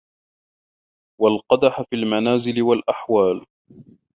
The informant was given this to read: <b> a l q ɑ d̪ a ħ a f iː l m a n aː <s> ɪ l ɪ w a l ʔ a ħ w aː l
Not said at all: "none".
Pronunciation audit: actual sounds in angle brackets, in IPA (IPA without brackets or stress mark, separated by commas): w, z